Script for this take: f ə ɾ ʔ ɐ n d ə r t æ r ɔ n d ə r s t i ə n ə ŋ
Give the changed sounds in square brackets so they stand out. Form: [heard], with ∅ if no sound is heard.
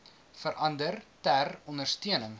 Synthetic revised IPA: f ə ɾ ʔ ɐ n d ə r t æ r ɔ n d ə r s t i ə n ə ŋ

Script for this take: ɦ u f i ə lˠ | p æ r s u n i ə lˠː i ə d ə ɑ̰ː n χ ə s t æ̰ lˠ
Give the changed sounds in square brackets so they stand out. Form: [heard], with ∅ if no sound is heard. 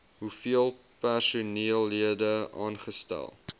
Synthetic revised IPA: ɦ u f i ə lˠ | p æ r s u n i ə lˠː i ə d ə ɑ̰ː n χ ə s t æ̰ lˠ

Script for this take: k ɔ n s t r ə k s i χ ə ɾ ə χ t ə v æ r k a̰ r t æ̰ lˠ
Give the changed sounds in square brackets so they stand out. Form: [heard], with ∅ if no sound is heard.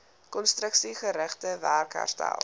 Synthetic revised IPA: k ɔ n s t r ə k s i χ ə ɾ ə χ t ə v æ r k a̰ r t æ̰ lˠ

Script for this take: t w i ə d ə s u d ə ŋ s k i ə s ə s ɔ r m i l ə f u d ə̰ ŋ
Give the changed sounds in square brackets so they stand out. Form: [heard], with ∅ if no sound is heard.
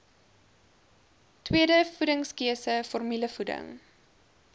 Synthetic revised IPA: t w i ə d ə [f] u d ə ŋ s k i ə s ə [f] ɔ r m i l ə f u d ə̰ ŋ

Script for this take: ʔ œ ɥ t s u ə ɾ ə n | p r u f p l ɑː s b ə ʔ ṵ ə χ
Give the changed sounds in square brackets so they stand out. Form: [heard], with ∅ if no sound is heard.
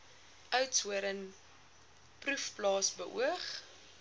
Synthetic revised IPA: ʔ œ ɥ t s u ə ɾ ə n | p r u f p l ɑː s b ə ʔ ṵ ə χ

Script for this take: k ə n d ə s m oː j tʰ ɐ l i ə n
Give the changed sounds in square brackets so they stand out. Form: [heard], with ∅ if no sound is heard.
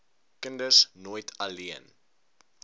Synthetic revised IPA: k ə n d ə s [n] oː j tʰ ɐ l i ə n

